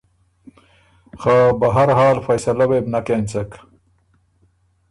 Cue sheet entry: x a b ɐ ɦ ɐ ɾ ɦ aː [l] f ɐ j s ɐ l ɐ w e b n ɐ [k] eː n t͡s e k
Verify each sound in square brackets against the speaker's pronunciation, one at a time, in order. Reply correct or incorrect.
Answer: correct, correct

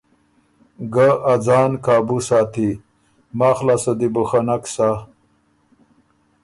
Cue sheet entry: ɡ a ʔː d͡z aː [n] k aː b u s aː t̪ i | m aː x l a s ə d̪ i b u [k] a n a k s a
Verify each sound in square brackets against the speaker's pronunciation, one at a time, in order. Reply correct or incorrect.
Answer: correct, incorrect: x

